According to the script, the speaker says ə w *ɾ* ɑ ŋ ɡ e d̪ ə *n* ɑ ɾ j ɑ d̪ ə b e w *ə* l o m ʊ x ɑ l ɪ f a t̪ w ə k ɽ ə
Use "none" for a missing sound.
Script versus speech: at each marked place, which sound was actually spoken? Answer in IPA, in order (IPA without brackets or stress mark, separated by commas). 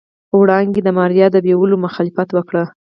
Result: ɽ, m, ə